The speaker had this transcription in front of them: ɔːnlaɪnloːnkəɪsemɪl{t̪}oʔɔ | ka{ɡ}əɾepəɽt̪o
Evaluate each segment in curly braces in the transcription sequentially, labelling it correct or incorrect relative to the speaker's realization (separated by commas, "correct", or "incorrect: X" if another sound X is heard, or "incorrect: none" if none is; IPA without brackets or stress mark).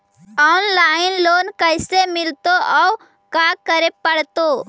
correct, incorrect: k